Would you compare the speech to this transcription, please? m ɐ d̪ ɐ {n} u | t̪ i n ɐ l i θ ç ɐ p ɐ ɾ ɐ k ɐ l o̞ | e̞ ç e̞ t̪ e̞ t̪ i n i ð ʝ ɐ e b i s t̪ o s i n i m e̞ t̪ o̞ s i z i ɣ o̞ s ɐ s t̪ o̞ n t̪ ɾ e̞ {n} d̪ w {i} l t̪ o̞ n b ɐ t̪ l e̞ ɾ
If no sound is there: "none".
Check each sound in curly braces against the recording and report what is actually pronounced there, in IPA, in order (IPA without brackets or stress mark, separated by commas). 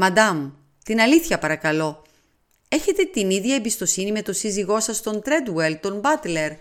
m, none, e